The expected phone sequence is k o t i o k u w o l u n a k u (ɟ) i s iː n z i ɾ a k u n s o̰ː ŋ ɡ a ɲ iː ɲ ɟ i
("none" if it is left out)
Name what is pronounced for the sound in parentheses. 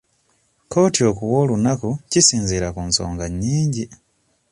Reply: c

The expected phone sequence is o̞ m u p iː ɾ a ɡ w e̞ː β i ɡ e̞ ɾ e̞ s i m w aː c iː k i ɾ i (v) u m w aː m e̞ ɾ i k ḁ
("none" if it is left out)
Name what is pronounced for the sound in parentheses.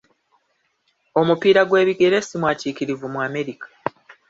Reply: v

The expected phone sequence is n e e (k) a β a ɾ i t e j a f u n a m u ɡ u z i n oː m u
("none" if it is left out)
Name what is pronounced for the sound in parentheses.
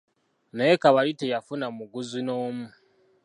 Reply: k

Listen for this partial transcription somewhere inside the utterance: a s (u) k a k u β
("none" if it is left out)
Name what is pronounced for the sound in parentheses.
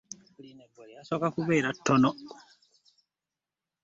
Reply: o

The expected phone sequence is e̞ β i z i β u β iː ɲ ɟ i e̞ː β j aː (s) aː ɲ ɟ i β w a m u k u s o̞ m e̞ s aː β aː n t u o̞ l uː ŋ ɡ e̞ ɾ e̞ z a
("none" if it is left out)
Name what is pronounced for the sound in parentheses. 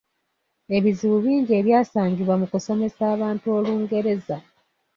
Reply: s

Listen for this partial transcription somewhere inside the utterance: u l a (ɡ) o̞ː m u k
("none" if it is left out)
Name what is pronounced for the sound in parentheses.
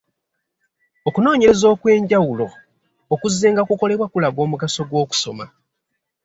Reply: ɡ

